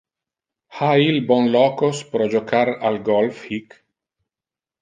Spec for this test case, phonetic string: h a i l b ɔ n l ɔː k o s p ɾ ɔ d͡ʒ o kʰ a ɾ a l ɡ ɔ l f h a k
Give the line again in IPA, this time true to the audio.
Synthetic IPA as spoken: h a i l b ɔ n l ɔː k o s p ɾ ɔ d͡ʒ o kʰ a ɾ a l ɡ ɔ l f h i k